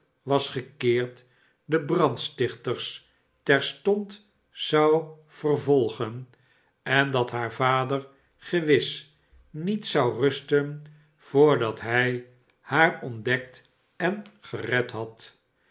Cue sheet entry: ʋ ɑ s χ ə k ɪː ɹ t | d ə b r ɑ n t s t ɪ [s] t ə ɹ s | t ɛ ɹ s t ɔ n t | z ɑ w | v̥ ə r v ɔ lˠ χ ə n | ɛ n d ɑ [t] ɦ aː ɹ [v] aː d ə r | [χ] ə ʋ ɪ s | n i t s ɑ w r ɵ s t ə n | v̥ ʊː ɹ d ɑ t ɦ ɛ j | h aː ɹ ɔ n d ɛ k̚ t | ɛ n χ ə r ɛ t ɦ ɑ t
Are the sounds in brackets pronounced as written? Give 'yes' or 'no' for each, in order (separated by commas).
no, yes, yes, yes